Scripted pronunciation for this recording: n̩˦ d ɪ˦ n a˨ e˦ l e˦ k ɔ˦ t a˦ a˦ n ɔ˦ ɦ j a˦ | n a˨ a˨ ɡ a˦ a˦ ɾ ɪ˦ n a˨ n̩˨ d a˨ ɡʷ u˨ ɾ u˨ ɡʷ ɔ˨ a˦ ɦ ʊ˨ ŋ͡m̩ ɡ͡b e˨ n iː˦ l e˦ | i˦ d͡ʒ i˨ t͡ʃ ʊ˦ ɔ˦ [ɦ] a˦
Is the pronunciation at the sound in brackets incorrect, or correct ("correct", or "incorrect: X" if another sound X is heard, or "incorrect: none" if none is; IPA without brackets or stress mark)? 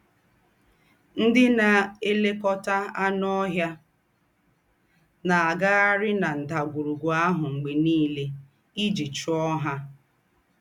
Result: correct